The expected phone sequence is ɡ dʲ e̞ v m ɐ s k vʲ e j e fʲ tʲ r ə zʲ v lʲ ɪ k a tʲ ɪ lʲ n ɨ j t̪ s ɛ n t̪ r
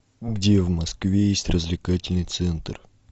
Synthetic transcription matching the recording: ɡ dʲ e̞ v m ɐ s k vʲ e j e sʲ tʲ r ə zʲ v lʲ ɪ k a tʲ ɪ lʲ n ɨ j t̪ s ɛ n t̪ r